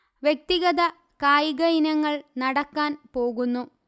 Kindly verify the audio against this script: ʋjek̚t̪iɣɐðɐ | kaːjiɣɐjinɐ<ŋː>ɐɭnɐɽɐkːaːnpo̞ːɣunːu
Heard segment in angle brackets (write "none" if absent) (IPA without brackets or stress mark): ŋː